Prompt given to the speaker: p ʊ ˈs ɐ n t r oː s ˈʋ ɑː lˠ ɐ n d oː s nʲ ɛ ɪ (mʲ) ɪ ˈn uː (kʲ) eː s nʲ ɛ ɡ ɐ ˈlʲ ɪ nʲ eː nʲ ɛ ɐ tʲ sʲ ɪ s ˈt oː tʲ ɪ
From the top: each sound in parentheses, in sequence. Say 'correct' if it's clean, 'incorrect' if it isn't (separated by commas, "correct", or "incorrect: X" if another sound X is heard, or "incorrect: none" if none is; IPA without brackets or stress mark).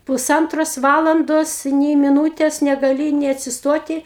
correct, incorrect: tʲ